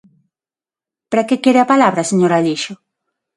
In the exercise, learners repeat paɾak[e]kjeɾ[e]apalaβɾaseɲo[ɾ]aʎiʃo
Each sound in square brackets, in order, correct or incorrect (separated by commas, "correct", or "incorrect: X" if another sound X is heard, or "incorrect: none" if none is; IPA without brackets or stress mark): correct, correct, correct